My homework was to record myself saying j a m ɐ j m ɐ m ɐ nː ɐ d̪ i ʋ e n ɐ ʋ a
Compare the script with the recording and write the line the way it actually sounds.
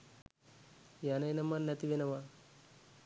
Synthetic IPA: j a n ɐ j n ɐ m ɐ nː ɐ t̪ i ʋ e n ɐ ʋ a